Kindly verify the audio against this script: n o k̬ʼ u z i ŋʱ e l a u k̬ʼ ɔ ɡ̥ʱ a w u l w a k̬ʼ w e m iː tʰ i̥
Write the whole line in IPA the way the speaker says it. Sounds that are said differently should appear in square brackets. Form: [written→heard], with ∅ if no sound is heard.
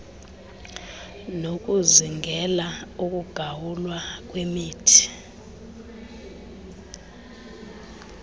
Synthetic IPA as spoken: n o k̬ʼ u z i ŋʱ [e→ɛ] l a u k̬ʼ [ɔ→u] ɡ̥ʱ a w u l w a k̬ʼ w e m iː tʰ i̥